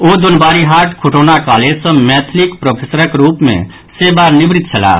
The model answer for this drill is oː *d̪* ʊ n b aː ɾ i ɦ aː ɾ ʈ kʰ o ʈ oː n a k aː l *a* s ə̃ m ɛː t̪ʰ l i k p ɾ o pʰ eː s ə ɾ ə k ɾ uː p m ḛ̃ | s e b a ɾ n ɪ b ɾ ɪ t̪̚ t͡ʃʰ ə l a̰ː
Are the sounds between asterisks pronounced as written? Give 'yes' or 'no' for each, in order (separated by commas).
yes, no